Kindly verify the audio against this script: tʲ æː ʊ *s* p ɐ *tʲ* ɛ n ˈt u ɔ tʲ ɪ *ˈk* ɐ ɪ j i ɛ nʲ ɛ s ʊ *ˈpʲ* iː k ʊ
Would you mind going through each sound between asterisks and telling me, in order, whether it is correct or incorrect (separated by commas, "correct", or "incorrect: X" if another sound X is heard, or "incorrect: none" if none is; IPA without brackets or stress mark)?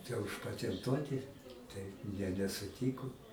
incorrect: ʃ, correct, incorrect: t, incorrect: tʲ